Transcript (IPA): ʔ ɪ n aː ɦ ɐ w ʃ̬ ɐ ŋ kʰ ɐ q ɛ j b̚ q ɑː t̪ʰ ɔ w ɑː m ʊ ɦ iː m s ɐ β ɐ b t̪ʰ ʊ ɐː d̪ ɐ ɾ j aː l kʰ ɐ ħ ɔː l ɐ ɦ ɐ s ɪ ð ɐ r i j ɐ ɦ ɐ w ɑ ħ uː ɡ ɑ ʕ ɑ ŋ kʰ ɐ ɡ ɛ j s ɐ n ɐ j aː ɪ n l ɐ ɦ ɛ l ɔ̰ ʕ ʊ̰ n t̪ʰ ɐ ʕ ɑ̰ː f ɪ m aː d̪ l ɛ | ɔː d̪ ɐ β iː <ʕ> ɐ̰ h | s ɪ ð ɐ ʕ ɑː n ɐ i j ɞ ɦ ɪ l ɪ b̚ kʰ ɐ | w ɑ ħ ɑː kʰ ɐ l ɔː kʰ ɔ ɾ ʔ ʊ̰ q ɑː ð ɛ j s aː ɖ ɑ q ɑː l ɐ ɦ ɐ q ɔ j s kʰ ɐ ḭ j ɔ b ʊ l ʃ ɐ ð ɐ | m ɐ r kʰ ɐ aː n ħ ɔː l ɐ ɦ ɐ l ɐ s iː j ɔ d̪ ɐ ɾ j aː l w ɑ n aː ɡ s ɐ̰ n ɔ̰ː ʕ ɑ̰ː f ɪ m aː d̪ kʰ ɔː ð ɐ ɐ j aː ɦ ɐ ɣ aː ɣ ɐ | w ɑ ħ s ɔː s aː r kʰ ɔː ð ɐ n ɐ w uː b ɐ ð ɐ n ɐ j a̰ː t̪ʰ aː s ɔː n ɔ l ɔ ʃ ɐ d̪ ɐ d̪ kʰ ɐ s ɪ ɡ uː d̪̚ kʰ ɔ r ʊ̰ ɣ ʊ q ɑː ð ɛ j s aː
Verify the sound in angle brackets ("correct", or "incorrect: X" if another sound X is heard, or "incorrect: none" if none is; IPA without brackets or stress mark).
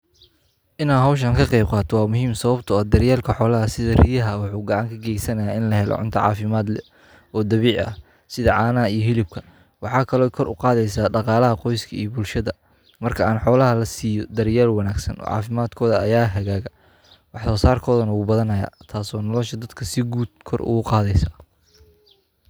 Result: correct